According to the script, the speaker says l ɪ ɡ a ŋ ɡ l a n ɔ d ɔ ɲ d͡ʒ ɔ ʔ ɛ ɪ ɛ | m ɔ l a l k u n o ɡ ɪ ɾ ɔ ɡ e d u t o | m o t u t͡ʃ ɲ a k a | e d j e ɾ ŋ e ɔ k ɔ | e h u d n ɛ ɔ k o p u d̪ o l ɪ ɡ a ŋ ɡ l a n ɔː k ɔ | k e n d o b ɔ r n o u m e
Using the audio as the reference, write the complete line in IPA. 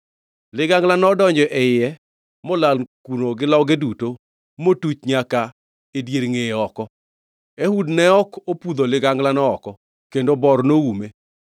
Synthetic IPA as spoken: l ɪ ɡ a ŋ ɡ l a n ɔ d ɔ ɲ d͡ʒ ɔ ʔ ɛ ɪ ɛ | m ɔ l a l k u n o ɡ ɪ l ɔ ɡ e d u t o | m o t u t͡ʃ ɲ a k a | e d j e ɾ ŋ e ɔ k ɔ | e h u d n ɛ ɔ k o p u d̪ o l ɪ ɡ a ŋ ɡ l a n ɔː k ɔ | k e n d o b ɔ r n o u m e